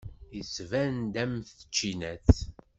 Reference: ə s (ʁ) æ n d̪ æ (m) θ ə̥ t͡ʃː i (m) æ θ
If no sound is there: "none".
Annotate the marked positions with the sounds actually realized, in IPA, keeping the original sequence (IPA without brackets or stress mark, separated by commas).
v, m, n